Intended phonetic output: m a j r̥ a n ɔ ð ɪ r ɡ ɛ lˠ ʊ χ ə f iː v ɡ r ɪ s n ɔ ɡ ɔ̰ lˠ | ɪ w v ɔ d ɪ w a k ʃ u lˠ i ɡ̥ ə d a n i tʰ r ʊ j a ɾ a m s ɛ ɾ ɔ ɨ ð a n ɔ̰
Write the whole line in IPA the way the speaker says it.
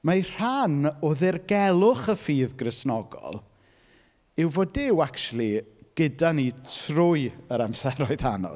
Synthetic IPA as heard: m a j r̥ a n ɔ ð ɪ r ɡ ɛ lˠ ʊ χ ə f iː ð ɡ r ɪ s n ɔ ɡ ɔ̰ lˠ | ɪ w v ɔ d ɪ w a k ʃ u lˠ i ɡ̥ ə d a n i tʰ r ʊ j ə ɾ a m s ɛ ɾ ɔ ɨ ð a n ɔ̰